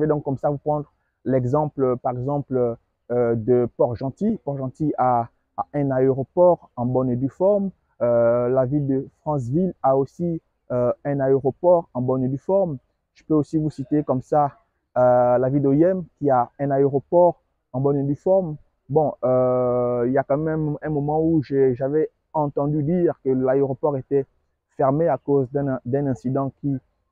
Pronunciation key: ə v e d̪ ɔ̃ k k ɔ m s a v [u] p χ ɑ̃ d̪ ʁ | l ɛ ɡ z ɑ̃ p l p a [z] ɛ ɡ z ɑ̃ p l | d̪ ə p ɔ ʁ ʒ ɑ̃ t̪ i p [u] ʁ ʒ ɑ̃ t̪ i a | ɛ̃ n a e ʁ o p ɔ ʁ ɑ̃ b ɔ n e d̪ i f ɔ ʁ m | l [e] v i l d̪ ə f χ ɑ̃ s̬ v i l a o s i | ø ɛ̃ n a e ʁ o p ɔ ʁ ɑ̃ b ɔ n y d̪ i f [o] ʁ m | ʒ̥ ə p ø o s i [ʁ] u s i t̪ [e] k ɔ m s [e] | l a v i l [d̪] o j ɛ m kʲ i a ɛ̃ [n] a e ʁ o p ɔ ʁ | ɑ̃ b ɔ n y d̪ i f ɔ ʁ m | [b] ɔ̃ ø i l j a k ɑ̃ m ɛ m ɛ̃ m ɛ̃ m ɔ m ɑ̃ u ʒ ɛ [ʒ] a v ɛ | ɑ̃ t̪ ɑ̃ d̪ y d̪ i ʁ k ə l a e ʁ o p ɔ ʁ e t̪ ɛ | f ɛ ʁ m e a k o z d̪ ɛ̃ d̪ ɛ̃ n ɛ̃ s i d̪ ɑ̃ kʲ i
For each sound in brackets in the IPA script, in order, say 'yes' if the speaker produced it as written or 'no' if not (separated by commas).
yes, no, no, no, no, no, yes, no, yes, yes, yes, yes